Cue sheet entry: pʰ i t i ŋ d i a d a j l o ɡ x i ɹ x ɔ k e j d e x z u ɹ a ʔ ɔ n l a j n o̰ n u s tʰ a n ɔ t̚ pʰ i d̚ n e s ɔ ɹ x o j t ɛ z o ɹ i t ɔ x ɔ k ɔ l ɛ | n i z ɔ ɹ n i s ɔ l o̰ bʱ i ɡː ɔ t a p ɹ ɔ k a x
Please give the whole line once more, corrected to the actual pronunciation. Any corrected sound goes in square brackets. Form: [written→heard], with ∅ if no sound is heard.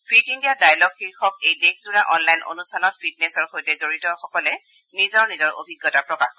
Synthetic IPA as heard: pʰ i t i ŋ d i a d a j l [o→ɔ] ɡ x i ɹ x ɔ k e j d e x z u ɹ a ʔ ɔ n l a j n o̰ n u s tʰ a n ɔ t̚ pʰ i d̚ n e s ɔ ɹ x o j t ɛ z o ɹ i t ɔ x ɔ k ɔ l ɛ | n i z ɔ ɹ n i [s→z] ɔ [l→ɹ] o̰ bʱ i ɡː ɔ t a p ɹ ɔ k a x